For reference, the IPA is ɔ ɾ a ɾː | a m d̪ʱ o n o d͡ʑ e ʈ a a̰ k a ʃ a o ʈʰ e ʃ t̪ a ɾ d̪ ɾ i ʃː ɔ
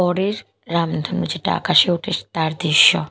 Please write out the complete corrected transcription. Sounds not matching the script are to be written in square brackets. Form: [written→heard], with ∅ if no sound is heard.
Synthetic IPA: ɔ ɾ [a→e] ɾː | a m d̪ʱ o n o d͡ʑ e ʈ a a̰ k a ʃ [a→e] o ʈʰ e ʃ t̪ a ɾ d̪ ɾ i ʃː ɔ